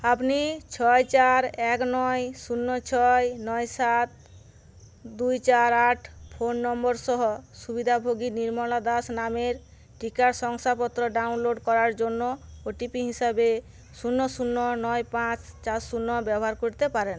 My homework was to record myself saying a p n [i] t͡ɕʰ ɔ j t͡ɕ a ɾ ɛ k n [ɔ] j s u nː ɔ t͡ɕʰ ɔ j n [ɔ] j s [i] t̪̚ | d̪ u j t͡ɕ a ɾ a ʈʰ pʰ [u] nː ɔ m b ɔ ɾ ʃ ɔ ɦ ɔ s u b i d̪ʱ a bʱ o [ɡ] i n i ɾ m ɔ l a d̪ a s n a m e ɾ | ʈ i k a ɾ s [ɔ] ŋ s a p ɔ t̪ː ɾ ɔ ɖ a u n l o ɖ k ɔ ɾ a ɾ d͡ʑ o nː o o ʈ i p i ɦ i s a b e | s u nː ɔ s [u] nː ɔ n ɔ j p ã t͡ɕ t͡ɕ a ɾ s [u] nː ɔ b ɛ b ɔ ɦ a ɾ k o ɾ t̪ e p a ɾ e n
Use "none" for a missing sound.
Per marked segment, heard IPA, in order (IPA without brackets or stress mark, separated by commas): i, ɔ, ɔ, a, o, ɡ, ɔ, u, u